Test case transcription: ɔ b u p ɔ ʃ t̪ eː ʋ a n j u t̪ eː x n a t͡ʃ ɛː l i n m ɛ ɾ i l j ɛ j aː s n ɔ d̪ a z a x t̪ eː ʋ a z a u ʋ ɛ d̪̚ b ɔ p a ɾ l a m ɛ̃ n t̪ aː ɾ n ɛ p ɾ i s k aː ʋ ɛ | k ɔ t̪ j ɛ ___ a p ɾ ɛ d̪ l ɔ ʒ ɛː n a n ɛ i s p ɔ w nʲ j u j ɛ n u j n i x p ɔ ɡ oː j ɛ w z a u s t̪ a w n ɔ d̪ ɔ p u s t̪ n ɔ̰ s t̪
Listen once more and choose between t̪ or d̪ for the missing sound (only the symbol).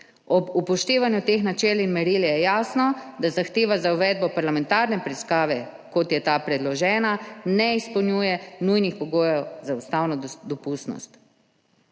t̪